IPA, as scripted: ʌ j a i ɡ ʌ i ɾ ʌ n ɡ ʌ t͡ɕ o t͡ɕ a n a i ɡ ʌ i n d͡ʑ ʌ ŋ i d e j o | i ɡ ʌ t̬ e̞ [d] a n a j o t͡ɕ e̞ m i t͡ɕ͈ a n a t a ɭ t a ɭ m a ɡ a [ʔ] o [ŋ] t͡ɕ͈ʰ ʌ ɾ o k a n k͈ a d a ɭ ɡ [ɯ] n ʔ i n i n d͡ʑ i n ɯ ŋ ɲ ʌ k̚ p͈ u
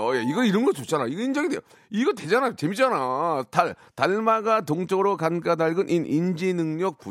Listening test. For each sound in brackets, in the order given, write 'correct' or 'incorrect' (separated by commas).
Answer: incorrect, incorrect, correct, correct